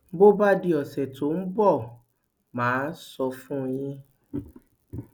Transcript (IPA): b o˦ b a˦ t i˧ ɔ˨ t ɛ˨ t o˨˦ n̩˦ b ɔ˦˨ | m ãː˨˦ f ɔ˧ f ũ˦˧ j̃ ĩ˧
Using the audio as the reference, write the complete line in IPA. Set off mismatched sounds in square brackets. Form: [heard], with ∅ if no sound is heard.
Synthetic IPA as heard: b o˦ b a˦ [d] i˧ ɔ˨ [s] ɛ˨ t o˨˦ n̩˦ b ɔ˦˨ | m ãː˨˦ [s] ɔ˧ f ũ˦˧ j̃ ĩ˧

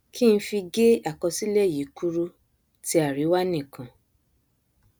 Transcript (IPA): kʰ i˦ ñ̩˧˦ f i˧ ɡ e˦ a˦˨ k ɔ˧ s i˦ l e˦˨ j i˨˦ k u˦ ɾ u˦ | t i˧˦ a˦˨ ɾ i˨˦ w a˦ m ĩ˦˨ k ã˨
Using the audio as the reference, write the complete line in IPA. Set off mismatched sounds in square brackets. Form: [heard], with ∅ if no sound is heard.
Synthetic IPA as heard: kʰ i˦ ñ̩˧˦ f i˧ ɡ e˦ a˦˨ k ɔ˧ s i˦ l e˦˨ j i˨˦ k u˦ ɾ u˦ | t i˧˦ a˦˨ ɾ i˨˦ w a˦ [n] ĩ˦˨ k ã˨

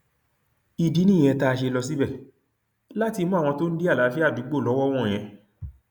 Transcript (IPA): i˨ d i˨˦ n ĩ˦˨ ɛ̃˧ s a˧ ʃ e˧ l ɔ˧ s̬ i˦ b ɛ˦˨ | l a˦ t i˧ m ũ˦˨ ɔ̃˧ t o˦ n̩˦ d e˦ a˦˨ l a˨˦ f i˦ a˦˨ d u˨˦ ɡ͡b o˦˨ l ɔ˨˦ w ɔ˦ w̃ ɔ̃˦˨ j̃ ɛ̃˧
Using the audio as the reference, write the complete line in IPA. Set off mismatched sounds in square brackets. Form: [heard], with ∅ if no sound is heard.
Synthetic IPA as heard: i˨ d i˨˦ n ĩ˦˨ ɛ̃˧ [t] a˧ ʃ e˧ l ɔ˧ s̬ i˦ b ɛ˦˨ | l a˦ t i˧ m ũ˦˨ ɔ̃˧ t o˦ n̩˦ d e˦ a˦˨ l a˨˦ f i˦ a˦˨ d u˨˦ ɡ͡b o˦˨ l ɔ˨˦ w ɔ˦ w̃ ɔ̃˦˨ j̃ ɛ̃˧

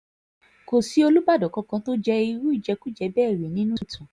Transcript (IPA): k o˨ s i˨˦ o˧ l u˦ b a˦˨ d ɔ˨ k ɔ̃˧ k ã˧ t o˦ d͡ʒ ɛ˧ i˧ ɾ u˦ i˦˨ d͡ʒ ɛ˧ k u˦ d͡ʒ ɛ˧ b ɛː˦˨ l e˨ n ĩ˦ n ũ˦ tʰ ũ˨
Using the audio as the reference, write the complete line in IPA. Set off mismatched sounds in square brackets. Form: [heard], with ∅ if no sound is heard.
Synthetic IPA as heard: k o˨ s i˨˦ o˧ l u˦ b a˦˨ d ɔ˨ k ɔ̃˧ k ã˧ t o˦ d͡ʒ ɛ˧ i˧ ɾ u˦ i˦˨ d͡ʒ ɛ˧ k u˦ d͡ʒ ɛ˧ b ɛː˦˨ [ɾ] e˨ n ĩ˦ n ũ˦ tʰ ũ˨

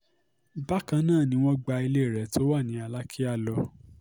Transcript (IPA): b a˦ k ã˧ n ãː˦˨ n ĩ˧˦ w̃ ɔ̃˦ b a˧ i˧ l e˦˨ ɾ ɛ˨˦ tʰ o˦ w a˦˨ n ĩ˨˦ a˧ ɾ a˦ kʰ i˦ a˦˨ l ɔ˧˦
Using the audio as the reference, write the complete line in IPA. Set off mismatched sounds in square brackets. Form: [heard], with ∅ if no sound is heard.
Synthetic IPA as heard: b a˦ k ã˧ n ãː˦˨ n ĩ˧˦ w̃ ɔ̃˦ [ɡ͡b] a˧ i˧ l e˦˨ ɾ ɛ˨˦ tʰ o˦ w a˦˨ n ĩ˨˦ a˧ [l] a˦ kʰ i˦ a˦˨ l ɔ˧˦

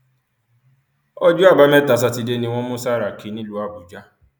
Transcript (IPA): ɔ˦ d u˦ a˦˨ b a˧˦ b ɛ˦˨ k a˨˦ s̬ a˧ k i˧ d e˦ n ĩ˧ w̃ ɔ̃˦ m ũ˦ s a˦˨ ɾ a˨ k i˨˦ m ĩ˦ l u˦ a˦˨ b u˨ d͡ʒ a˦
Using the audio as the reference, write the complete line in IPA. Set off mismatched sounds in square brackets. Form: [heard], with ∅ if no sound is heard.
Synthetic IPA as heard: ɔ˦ [d͡ʒ] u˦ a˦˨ b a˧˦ [m] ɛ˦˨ [t] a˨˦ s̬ a˧ [t] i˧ d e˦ n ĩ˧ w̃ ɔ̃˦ m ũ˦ s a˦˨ ɾ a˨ k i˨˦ [n] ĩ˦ l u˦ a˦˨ b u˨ d͡ʒ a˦

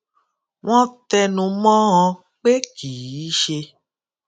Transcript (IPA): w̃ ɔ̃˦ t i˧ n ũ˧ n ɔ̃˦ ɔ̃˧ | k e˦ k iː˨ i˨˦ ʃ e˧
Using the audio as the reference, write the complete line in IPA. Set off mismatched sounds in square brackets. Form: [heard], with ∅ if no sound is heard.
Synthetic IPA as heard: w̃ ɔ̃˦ t [ɛ˧] n ũ˧ [m] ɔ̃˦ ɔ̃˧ | [k͡p] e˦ k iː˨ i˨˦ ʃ e˧

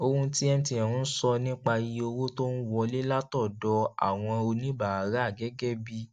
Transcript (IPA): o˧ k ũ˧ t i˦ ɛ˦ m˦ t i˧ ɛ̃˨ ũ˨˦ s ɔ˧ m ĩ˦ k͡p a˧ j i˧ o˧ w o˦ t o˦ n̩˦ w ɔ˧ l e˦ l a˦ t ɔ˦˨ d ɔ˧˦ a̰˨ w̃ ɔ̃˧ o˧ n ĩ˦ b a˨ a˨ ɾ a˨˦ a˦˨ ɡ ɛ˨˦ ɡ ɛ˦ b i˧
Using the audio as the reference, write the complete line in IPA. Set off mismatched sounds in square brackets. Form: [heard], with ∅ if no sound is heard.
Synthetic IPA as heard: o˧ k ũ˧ t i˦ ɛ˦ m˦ t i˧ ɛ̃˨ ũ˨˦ s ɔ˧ [n] ĩ˦ k͡p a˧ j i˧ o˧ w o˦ t o˦ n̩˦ w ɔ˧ l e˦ l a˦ t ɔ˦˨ d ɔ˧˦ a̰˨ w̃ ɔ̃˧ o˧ n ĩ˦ b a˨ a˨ ɾ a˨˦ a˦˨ ɡ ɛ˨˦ ɡ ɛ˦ b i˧

